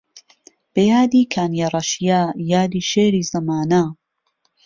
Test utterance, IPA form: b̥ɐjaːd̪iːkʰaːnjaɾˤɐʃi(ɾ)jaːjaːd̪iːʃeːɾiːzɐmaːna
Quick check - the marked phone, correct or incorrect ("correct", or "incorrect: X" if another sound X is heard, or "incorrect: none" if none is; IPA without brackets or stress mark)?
incorrect: none